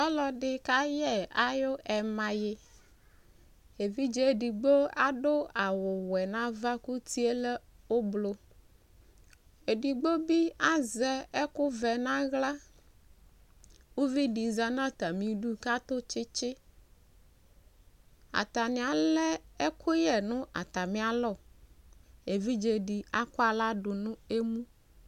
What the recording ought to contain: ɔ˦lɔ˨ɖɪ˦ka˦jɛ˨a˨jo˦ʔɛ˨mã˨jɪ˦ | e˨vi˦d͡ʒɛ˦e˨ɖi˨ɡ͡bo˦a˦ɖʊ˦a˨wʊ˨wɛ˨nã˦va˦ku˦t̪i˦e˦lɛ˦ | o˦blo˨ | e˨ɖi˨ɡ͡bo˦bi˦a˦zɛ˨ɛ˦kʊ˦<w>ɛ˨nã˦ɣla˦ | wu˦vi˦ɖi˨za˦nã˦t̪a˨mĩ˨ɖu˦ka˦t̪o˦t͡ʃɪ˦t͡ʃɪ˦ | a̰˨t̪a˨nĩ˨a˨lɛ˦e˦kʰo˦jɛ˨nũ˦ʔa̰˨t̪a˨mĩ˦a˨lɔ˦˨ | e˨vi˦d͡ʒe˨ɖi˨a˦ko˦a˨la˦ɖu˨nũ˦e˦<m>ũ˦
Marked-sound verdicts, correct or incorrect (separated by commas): incorrect, correct